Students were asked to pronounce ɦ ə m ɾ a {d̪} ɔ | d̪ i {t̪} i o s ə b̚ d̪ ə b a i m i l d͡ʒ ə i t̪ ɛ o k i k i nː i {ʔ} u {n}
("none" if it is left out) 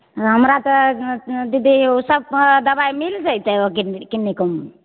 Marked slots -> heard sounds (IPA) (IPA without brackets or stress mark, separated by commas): t̪, d̪, k, m